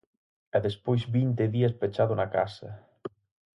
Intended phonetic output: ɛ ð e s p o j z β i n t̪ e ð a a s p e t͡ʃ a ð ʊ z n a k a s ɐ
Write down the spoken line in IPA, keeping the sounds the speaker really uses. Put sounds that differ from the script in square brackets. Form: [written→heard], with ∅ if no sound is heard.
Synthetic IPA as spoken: ɛ ð e s p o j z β i n t̪ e ð [a→i] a s p e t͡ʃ a ð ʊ [z→∅] n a k a s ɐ